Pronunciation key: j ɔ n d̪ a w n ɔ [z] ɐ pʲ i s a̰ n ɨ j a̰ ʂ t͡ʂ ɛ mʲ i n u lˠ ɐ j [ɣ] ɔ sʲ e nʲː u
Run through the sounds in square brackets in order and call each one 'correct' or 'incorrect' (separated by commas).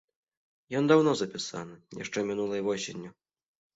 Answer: correct, incorrect